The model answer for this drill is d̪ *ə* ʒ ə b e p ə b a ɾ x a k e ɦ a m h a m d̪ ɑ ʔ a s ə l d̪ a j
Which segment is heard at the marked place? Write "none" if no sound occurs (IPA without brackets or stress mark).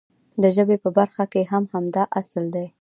ə